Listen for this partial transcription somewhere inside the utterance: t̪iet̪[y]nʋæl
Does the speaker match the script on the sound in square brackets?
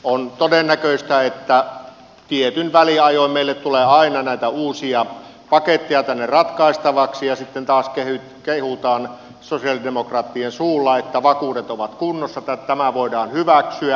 yes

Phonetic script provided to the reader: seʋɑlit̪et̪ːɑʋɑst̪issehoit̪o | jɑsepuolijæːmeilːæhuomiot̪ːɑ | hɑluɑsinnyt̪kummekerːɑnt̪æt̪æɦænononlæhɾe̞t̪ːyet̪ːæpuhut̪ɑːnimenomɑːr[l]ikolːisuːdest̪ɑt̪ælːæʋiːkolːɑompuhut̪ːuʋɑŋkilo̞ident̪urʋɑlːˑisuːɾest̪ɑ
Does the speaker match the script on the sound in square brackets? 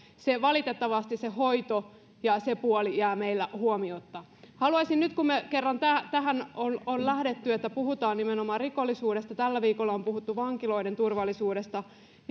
no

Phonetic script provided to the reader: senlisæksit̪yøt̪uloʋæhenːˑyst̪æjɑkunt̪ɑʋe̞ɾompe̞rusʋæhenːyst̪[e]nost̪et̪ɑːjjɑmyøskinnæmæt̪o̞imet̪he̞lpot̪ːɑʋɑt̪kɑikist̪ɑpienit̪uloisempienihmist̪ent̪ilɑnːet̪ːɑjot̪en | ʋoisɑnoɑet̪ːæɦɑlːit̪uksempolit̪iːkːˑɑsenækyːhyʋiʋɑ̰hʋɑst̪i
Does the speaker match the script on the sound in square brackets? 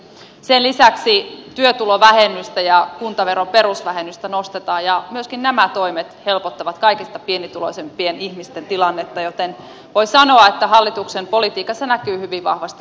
no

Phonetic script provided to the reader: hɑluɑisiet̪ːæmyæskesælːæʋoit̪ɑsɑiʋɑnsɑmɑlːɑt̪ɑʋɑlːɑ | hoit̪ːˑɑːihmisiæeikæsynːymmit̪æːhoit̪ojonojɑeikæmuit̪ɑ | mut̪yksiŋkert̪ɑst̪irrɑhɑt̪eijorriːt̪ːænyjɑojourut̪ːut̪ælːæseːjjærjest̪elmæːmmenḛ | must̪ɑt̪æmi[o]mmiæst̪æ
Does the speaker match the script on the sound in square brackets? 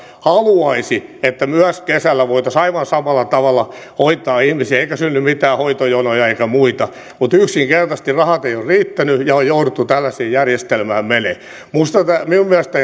no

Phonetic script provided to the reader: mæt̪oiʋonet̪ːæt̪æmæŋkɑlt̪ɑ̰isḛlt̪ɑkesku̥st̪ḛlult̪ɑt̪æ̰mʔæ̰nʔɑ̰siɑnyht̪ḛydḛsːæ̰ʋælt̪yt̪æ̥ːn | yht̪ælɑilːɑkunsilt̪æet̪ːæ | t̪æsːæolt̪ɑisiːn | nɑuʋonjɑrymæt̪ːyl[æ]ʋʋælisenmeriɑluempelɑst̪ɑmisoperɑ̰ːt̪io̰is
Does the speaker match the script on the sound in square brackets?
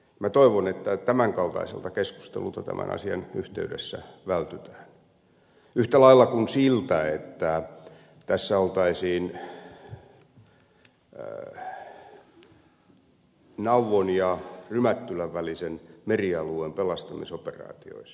yes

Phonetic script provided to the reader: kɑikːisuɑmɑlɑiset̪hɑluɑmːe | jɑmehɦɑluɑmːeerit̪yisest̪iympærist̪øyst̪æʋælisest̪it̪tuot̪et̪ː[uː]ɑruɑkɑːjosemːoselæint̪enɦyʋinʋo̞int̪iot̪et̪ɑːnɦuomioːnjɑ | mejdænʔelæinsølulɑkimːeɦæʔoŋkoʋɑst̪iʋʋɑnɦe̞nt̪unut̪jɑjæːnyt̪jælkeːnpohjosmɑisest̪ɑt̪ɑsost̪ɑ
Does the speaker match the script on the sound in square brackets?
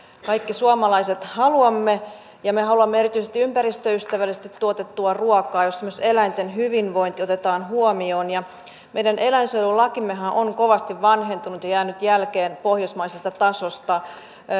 no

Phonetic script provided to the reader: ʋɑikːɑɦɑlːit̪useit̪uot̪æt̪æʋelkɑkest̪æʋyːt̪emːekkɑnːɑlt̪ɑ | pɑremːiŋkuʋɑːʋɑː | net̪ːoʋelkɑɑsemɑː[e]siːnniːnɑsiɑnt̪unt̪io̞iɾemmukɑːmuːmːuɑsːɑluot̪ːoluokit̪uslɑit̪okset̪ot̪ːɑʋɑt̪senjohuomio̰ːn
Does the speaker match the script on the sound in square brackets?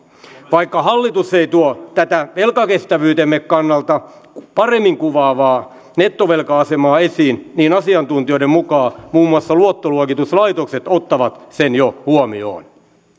yes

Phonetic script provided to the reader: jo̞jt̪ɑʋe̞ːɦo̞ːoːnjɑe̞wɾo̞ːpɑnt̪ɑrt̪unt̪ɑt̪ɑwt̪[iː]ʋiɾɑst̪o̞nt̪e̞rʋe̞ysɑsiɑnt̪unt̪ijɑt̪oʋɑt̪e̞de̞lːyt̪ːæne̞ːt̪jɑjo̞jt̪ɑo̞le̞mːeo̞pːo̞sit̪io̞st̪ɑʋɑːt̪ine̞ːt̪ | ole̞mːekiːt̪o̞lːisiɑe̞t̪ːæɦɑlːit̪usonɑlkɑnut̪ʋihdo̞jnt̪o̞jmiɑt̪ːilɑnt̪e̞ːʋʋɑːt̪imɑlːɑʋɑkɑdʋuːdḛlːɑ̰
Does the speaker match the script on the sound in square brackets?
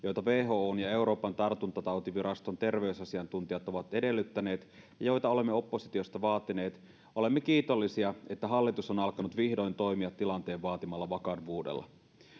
no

